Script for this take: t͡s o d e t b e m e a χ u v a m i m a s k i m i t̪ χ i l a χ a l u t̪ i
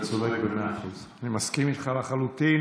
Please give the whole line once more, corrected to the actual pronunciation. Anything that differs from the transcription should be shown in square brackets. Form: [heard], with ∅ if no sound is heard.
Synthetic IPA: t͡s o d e [k] b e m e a χ u [z] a [n] i m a s k i m i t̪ χ [a] l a χ a l u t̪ i